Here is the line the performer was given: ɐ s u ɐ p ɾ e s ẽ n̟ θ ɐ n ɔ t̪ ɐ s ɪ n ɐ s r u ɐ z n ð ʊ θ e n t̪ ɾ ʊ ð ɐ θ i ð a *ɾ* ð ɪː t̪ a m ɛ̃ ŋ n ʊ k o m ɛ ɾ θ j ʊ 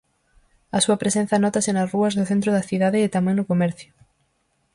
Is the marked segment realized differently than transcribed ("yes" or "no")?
yes